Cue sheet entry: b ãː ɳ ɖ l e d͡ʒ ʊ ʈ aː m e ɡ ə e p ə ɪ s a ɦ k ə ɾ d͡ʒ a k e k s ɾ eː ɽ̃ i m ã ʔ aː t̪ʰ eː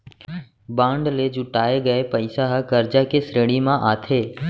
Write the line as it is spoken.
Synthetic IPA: b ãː ɳ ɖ l e d͡ʒ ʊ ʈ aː e ɡ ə e p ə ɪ s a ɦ k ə ɾ d͡ʒ a k e s ɾ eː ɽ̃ i m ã ʔ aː t̪ʰ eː